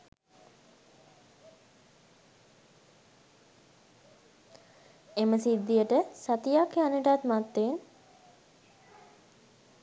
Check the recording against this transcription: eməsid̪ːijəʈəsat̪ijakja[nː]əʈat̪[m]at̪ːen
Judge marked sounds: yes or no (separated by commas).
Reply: no, yes